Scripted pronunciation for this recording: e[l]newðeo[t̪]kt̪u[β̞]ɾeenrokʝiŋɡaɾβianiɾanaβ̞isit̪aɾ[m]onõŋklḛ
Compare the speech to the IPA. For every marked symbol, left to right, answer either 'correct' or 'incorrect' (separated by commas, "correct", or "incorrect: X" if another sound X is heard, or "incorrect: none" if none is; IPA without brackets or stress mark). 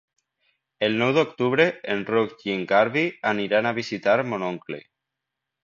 correct, incorrect: none, correct, correct